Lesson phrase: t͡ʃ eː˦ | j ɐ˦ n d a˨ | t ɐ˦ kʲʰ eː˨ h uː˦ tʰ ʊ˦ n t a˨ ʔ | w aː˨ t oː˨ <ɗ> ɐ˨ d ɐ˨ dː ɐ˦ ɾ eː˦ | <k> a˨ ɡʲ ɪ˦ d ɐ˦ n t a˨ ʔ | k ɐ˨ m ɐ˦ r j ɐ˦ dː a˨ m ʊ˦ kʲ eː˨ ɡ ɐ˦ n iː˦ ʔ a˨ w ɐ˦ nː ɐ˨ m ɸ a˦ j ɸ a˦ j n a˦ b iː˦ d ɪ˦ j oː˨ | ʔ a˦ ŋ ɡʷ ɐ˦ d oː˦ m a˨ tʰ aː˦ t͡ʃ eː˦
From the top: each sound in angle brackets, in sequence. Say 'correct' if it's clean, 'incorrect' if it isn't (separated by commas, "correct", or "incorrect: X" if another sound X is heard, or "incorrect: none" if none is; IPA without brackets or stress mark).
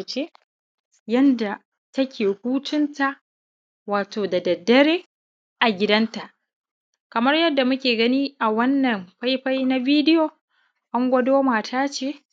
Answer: incorrect: d, incorrect: ʔ